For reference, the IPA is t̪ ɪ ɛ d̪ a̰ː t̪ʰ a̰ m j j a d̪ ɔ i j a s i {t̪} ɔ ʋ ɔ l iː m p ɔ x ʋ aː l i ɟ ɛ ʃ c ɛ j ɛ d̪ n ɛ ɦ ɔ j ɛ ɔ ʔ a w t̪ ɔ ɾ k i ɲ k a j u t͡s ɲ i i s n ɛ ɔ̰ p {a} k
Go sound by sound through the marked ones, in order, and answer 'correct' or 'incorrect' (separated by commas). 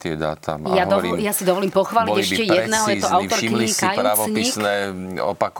incorrect, correct